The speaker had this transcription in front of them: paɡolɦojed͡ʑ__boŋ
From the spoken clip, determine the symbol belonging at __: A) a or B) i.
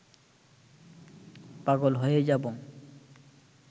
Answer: A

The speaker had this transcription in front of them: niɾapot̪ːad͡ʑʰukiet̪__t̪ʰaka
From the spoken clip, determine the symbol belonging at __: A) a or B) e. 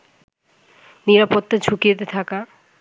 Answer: B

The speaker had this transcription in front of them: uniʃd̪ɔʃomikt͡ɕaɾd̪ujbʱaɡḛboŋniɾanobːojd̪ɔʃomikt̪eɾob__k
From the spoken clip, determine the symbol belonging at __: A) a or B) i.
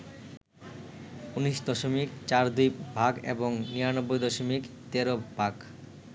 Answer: A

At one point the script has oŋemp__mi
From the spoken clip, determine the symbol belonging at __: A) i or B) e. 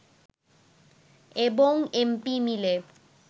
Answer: A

